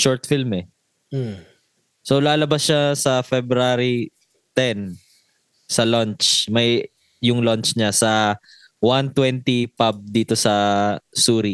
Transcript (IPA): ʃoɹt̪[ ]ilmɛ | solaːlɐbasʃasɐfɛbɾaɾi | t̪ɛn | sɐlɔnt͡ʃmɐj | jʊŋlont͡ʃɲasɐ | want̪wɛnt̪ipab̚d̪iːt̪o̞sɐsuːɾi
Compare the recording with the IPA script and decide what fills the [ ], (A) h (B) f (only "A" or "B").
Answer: B